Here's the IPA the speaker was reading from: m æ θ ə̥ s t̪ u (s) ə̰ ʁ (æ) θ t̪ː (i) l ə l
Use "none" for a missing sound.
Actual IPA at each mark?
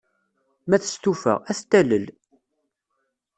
f, æ, æ

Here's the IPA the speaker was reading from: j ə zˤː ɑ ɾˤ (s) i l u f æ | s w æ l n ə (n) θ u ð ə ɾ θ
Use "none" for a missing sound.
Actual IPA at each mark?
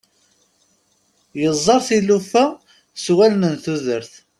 θ, n

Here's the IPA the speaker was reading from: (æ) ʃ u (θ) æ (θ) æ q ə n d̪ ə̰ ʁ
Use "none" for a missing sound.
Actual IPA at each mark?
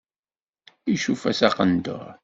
i, f, s

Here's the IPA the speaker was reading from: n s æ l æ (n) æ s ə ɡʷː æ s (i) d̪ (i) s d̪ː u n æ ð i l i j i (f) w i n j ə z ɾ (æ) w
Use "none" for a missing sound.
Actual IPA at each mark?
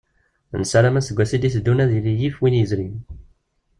m, i, i, f, i

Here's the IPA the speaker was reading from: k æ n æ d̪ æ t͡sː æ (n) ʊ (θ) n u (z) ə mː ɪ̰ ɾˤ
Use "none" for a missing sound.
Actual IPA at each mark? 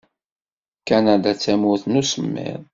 m, θ, s

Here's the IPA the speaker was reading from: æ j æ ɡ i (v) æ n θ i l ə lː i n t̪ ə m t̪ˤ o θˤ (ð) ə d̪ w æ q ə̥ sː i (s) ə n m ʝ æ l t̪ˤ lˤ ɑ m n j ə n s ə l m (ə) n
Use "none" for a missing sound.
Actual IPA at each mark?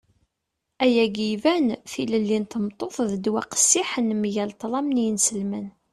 v, ð, ħ, ə

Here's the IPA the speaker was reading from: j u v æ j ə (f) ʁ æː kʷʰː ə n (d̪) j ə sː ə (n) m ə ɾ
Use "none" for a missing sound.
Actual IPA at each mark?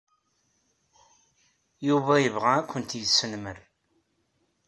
v, t̪, n

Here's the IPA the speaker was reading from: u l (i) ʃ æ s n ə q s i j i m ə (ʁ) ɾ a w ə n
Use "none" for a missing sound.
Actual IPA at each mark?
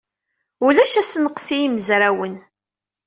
æ, z

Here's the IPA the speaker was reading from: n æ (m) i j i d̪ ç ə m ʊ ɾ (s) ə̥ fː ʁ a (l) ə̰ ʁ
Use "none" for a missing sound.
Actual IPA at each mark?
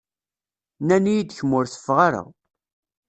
n, θ, ɾ

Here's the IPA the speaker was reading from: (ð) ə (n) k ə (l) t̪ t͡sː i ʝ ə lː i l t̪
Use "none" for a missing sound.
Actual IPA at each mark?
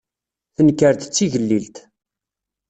θ, n, ɾ

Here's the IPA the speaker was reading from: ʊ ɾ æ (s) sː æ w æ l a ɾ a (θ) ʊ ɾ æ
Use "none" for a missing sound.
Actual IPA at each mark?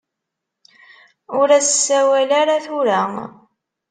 s, θ

